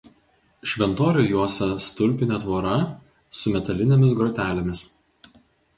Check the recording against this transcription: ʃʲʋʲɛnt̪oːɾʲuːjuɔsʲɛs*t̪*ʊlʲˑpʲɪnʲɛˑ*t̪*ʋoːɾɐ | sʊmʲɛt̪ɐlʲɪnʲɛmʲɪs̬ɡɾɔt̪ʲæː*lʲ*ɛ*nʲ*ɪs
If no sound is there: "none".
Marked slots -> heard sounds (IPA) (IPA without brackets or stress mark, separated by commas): t̪, t̪, lʲ, mʲ